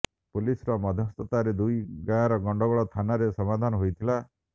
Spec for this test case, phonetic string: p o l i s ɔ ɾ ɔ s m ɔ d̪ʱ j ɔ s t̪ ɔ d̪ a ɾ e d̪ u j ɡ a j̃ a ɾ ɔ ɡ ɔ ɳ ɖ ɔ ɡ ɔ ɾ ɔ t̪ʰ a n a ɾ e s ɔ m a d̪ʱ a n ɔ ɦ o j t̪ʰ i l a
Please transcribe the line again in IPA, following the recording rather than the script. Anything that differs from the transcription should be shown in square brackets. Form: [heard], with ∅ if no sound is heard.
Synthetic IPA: p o l i s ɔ ɾ ɔ [∅] m ɔ d̪ʱ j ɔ s t̪ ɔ [t̪] a ɾ e d̪ u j ɡ a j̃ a ɾ ɔ ɡ ɔ ɳ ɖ ɔ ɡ ɔ [ɭ] ɔ t̪ʰ a n a ɾ e s ɔ m a d̪ʱ a n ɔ ɦ o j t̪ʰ i l a